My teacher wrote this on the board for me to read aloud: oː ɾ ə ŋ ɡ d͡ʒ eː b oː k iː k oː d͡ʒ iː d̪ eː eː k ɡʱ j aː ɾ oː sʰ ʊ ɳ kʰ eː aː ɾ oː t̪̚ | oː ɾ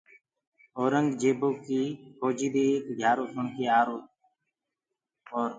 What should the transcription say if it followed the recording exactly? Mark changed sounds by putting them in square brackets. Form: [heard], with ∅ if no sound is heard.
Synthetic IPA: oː ɾ ə ŋ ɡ d͡ʒ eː b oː k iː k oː d͡ʒ iː d̪ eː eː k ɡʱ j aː ɾ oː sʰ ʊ ɳ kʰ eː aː ɾ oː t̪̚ | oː ɾ